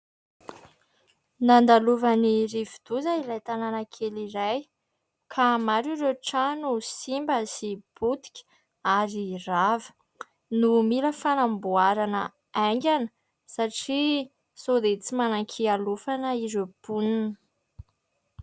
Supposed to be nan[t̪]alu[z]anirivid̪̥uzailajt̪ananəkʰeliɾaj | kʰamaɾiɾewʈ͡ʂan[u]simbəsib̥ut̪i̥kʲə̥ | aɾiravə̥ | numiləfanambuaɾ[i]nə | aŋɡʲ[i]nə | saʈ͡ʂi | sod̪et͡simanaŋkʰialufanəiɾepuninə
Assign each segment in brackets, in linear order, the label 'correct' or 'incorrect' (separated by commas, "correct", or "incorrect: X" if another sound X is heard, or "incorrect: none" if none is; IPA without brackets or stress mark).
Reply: incorrect: d̪, incorrect: v, correct, incorrect: a, incorrect: a